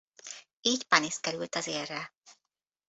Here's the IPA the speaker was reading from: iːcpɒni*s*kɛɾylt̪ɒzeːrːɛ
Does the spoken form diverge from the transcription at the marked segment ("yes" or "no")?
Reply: no